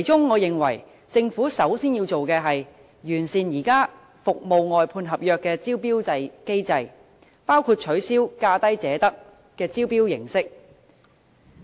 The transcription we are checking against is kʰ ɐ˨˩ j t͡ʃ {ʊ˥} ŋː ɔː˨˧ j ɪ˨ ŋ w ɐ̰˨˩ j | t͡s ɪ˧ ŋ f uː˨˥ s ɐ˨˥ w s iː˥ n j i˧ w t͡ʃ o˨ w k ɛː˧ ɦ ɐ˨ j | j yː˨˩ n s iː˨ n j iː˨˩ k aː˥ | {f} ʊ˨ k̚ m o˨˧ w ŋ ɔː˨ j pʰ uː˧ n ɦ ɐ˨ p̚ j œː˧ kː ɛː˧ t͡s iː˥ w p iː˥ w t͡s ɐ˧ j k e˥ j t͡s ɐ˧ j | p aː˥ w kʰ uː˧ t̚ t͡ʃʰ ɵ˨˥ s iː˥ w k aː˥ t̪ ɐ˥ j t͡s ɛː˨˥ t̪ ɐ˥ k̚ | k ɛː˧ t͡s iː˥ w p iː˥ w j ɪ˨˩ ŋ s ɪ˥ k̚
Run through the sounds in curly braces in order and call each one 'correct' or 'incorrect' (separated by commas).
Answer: correct, correct